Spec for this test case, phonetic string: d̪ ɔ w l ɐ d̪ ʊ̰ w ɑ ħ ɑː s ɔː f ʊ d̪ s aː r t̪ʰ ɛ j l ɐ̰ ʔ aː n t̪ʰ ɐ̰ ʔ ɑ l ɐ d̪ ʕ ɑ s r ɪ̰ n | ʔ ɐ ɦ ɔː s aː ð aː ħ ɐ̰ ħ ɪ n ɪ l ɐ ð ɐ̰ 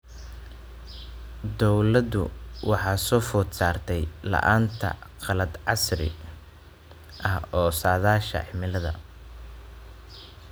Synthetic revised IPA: d̪ ɔ w l ɐ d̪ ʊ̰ w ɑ ħ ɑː s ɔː f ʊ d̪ s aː r t̪ʰ ɛ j l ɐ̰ ʔ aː n t̪ʰ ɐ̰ q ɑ l ɐ d̪ ʕ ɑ s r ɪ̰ | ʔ ɐ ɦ ɔː s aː ð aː ʃ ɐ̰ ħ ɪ m ɪ l ɐ ð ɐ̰